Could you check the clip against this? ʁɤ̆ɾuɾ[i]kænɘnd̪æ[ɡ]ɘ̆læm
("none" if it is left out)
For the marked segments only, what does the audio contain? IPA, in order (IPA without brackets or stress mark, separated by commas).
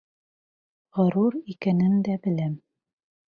i, b